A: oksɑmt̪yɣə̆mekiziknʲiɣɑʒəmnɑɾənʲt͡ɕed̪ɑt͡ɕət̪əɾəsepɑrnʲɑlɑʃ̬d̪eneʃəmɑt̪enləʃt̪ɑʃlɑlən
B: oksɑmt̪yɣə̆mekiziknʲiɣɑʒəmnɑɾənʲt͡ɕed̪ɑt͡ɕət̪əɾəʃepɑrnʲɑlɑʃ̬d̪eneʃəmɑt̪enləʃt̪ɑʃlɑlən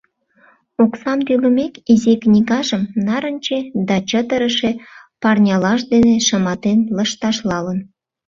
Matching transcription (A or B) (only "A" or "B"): B